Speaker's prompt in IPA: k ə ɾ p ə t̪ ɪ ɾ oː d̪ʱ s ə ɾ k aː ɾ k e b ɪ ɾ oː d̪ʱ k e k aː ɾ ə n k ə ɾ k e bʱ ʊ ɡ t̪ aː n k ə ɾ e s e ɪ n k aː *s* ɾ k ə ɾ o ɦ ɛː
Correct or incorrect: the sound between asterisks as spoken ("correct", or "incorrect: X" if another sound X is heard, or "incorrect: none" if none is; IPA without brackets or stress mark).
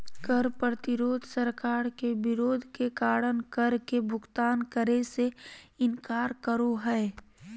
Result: incorrect: none